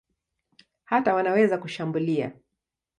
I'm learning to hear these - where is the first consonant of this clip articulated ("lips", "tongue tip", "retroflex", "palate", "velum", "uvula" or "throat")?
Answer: throat